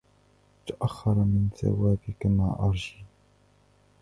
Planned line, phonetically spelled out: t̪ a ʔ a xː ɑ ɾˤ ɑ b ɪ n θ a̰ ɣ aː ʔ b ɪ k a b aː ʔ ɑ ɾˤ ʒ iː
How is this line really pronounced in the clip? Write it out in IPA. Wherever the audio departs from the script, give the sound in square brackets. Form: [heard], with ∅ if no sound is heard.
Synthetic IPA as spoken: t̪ a ʔ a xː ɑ ɾˤ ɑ [m] ɪ n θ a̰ [w] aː [∅] b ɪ k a [m] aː ʔ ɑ ɾˤ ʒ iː

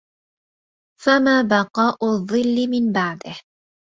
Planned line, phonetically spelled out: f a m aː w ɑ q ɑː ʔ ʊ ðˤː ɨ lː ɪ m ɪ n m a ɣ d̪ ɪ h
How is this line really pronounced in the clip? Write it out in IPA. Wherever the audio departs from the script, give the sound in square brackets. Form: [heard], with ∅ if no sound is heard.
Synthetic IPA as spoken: f a m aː [b] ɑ q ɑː ʔ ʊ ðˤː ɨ lː ɪ m ɪ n [b] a [ʕ] d̪ ɪ h

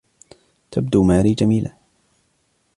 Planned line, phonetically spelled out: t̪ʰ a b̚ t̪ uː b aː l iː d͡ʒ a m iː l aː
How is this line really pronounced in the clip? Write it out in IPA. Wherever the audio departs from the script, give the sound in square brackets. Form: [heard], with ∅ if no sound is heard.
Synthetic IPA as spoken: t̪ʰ a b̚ [d̪] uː [m] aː [ɾ] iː d͡ʒ a m iː l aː

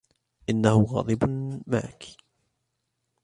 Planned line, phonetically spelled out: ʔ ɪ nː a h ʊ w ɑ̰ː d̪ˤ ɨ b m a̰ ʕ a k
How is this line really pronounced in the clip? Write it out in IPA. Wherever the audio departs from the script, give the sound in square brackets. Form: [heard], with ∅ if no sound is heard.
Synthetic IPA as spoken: ʔ ɪ nː a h ʊ [ɣ] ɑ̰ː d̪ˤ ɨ b m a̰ ʕ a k

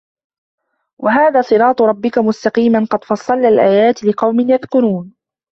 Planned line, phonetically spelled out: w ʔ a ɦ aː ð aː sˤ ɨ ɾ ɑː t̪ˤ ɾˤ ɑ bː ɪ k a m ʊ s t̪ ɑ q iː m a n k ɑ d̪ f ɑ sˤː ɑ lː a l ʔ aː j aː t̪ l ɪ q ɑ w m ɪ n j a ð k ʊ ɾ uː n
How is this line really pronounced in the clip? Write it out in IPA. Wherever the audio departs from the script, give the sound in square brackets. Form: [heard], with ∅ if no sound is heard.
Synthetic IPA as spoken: w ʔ a ɦ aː ð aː sˤ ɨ ɾ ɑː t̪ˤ ɾˤ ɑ bː ɪ k a m ʊ s t̪ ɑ q iː m a n [q] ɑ d̪ f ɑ sˤː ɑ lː a l ʔ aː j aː t̪ l ɪ q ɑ w m ɪ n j a ð k ʊ ɾ uː n

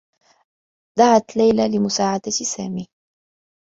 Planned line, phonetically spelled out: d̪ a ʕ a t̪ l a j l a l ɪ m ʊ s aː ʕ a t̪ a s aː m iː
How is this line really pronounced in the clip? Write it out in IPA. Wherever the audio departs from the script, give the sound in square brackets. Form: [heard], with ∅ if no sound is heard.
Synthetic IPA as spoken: d̪ a ʕ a t̪ l a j l a l ɪ m ʊ s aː ʕ a [d̪] a s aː m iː

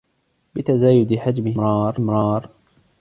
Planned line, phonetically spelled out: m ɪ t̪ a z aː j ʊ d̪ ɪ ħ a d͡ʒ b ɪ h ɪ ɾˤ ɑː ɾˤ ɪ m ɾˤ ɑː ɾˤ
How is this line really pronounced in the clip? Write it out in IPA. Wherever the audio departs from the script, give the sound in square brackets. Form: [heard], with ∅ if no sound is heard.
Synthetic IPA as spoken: [b] ɪ t̪ a z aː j ʊ d̪ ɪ ħ a d͡ʒ [m] ɪ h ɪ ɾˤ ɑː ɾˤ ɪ m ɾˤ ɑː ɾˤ

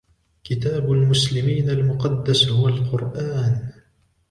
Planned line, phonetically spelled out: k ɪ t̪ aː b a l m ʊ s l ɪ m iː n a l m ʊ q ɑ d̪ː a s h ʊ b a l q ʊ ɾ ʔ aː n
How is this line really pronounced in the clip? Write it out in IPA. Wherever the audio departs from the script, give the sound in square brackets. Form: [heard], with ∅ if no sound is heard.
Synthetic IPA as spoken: k ɪ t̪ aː b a l m ʊ s l ɪ m iː n a l m ʊ q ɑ d̪ː a s h ʊ [w] a l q ʊ ɾ ʔ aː n

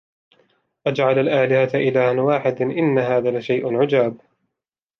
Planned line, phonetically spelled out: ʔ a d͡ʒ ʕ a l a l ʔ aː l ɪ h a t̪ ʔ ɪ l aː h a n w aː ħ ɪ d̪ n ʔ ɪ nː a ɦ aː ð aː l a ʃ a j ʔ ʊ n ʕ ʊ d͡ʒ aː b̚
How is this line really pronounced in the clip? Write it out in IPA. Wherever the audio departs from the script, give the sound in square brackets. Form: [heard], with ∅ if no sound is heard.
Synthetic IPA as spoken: ʔ a d͡ʒ ʕ a l a l ʔ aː l ɪ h a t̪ ʔ ɪ l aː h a n w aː ħ ɪ d̪ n ʔ ɪ nː a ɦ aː ð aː l a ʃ a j ʔ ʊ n ʕ ʊ d͡ʒ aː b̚

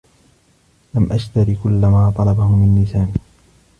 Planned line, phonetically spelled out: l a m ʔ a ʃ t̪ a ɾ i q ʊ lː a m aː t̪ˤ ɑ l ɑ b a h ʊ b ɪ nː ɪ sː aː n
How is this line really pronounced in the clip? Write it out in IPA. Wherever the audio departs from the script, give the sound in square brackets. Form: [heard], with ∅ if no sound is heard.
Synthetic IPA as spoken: l a m ʔ a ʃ t̪ a ɾ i [k] ʊ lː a m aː t̪ˤ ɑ l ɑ b a h ʊ [m] ɪ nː ɪ [s] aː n

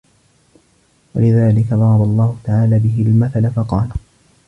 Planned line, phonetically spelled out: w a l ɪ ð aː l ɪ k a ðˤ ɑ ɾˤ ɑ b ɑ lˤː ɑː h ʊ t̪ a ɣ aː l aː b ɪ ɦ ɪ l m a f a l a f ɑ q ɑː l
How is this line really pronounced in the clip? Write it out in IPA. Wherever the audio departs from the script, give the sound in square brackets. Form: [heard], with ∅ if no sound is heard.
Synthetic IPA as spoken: w a l ɪ ð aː l ɪ k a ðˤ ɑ ɾˤ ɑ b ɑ lˤː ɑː h ʊ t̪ a [ʕ] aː l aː b ɪ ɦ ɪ l m a [θ] a l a f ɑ q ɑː l

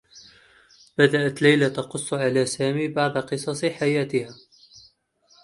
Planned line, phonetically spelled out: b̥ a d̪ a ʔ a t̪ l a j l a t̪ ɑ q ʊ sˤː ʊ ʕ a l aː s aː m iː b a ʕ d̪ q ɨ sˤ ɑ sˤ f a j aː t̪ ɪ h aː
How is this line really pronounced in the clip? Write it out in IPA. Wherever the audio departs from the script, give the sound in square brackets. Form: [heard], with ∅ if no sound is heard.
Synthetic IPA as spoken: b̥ a d̪ a ʔ a t̪ l a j l a t̪ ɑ q ʊ sˤː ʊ ʕ a l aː s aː m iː b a ʕ d̪ q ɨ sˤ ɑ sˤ [ħ] a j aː t̪ ɪ h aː

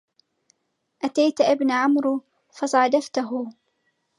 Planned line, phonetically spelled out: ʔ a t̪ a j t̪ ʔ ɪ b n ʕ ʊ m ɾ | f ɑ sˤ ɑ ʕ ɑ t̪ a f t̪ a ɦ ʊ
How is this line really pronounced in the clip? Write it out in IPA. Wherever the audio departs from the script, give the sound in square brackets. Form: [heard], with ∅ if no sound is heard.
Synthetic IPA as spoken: ʔ a t̪ a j t̪ ʔ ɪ b n ʕ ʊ m ɾ | f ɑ sˤ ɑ ʕ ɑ [d̪] a f t̪ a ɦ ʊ

